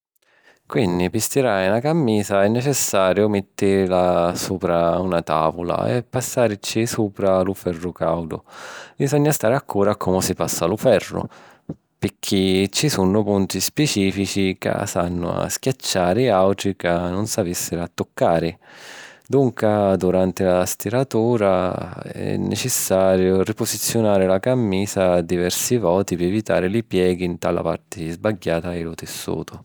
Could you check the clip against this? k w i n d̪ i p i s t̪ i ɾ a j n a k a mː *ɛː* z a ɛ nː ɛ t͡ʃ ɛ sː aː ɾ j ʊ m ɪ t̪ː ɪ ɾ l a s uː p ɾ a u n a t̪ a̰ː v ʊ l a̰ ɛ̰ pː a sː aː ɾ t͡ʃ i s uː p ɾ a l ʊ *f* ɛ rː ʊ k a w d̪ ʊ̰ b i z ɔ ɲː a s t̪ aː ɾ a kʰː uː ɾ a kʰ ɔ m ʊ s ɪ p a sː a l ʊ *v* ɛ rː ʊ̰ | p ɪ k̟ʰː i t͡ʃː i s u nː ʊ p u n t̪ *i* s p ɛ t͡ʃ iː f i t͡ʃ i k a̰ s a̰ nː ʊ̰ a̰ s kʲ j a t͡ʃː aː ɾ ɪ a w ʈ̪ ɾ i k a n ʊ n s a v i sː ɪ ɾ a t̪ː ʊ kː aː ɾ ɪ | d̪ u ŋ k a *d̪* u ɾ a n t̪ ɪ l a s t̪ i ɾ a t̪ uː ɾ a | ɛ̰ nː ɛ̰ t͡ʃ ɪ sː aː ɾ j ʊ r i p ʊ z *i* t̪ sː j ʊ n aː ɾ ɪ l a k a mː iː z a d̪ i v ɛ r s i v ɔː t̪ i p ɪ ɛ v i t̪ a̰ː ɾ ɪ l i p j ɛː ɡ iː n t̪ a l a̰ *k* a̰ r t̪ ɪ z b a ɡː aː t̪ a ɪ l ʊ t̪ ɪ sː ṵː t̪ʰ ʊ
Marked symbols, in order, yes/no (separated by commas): no, yes, no, yes, yes, yes, no